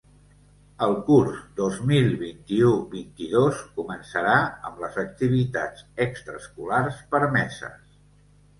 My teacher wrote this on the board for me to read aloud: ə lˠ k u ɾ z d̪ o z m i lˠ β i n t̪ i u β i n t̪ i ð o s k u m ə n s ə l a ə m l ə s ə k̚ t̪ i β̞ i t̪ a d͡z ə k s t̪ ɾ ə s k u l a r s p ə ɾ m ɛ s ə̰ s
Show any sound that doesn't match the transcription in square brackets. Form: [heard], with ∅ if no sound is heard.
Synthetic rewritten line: ə lˠ k u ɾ z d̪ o z m i lˠ β i n t̪ i u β i n t̪ i ð o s k u m ə n s ə [ɾ] a ə m l ə [z] ə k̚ t̪ i β̞ i t̪ a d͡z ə k s t̪ ɾ ə s k u l a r s p ə ɾ m ɛ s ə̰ s